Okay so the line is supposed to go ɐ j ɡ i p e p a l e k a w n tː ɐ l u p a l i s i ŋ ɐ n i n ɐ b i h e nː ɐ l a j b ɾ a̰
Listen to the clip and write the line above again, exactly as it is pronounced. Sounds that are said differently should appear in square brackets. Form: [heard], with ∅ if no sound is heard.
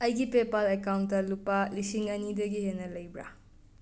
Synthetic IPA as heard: ɐ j ɡ i p e p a l e k a w n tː ɐ l u p a l i s i ŋ ɐ n i [d] ɐ [ɡ] i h e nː ɐ l [ɐ] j b ɾ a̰